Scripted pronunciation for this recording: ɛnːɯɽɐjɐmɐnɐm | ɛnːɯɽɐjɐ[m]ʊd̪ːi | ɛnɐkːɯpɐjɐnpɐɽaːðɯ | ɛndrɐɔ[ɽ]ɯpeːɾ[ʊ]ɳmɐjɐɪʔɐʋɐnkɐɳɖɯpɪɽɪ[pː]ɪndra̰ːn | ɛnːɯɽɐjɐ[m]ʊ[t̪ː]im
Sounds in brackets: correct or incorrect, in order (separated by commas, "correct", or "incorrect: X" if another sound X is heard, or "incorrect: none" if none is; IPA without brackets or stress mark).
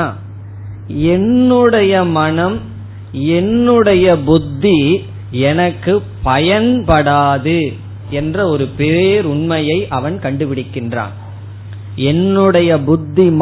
incorrect: b, incorrect: ɾ, correct, incorrect: kː, incorrect: b, incorrect: d̪ː